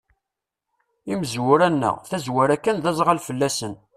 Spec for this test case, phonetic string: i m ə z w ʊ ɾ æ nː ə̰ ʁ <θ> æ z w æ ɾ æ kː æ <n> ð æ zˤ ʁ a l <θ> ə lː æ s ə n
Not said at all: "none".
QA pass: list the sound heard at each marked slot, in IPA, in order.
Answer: θ, n, f

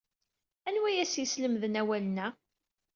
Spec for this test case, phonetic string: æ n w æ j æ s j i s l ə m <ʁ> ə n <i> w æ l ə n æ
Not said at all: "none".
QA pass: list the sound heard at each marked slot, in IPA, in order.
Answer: ð, æ

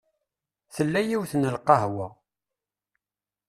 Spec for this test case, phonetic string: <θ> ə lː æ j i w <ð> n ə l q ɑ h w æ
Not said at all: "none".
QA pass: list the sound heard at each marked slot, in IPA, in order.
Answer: θ, θ

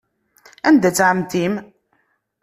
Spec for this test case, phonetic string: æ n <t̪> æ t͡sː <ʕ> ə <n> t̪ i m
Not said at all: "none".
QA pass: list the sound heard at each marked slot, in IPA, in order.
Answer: d̪, ʕ, m

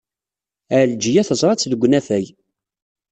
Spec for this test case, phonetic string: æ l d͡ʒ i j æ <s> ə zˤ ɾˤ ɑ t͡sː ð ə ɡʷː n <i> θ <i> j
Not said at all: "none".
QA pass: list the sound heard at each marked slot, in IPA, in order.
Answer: θ, æ, æ

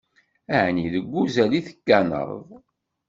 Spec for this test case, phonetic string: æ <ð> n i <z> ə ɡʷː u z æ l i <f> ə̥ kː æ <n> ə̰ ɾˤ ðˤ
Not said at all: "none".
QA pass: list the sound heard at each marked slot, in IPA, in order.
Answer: ʕ, ð, θ, n

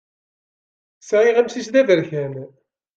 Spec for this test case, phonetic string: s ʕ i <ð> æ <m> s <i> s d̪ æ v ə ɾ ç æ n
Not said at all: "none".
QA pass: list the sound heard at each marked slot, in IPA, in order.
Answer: ʁ, m, i

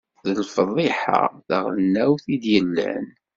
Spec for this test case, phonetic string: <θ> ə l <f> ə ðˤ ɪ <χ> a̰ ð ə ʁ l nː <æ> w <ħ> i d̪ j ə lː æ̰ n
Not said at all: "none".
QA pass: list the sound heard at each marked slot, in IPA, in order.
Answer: ð, f, ħ, æ, θ

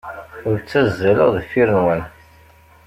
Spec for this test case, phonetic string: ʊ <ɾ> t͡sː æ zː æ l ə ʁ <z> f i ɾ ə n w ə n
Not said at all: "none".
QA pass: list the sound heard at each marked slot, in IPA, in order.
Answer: ɾ, ð

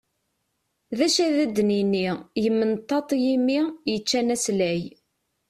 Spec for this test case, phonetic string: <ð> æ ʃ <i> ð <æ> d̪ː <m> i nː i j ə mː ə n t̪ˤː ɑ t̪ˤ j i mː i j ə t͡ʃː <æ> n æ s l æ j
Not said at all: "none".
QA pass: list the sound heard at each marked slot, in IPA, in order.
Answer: ð, æ, æ, n, æ

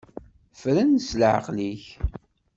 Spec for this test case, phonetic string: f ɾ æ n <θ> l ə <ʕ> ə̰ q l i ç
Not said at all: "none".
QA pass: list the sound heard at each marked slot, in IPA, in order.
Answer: s, ʕ

